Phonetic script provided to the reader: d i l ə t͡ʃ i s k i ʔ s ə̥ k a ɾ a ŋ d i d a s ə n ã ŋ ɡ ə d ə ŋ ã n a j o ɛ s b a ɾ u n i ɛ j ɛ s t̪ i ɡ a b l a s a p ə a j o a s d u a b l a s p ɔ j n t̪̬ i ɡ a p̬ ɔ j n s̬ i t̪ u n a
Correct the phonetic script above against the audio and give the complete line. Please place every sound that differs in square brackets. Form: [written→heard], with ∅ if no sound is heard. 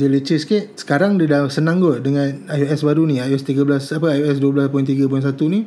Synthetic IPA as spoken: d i l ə t͡ʃ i s k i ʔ s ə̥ k a ɾ a ŋ d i d a s ə n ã ŋ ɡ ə d ə ŋ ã n a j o ɛ s b a ɾ u n i [ɛ→a] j ɛ s t̪ i ɡ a b l a s a p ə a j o [a→ɛ] s d u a b l a s p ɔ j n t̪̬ i ɡ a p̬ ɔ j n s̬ [i→a] t̪ u n [a→i]